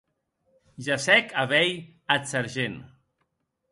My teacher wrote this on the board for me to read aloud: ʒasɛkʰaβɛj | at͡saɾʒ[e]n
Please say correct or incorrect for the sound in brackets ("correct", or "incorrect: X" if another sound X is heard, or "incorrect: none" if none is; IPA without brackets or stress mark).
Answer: correct